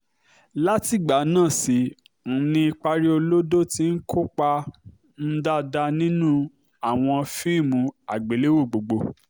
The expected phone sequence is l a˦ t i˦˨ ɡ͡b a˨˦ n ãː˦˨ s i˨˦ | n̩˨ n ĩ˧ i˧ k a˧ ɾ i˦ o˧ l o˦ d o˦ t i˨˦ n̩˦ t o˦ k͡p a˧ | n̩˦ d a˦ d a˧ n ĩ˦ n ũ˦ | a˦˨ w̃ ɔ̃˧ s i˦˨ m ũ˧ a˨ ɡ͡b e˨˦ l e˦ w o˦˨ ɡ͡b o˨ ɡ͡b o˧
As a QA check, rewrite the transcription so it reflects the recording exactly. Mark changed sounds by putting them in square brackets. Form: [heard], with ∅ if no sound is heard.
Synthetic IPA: l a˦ t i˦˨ ɡ͡b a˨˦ n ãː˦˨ s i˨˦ | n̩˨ n ĩ˧ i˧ [k͡p] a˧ ɾ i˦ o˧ l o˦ d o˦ t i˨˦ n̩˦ [k] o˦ k͡p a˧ | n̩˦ d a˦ d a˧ n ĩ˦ n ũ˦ | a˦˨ w̃ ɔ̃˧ [f] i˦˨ m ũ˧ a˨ ɡ͡b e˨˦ l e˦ w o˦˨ ɡ͡b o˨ ɡ͡b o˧